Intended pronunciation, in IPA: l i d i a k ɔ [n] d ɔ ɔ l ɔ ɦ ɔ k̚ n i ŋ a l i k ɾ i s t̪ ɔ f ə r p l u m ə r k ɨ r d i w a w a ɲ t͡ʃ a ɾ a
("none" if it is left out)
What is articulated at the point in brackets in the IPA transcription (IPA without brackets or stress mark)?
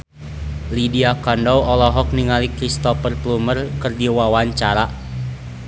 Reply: n